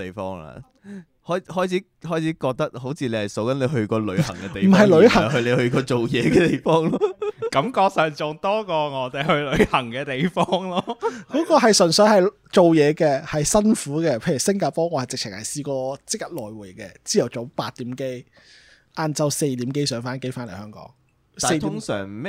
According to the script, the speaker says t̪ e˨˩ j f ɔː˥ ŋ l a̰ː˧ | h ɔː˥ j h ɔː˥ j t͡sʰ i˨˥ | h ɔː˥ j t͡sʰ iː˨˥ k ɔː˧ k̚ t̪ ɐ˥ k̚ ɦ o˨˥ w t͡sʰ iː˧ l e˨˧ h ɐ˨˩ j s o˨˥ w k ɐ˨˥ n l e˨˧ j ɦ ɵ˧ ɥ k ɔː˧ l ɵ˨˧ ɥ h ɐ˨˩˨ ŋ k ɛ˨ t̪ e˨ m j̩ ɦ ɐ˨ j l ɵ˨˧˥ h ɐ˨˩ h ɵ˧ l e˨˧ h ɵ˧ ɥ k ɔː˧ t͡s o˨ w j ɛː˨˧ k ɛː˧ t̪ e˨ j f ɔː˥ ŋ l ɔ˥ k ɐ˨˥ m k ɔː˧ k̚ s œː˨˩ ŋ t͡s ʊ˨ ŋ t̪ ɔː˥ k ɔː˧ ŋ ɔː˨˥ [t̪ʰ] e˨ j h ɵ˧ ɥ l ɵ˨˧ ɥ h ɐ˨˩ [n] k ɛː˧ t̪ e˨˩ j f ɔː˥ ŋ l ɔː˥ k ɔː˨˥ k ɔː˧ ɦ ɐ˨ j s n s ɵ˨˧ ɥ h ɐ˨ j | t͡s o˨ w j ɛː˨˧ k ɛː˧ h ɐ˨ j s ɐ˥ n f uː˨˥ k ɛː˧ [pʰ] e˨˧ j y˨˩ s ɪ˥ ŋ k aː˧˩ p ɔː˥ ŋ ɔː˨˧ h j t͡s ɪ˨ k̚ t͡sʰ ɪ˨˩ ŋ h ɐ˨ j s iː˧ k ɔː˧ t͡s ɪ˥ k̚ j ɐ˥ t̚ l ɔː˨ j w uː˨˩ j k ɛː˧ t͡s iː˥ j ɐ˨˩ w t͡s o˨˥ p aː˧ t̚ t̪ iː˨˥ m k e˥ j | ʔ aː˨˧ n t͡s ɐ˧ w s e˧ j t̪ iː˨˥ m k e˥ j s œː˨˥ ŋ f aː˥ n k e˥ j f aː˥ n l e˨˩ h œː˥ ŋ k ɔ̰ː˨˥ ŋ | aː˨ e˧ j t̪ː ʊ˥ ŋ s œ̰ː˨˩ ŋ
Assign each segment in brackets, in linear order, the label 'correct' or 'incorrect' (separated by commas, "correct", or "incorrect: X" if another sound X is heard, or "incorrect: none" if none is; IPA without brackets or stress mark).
incorrect: t̪, incorrect: ŋ, correct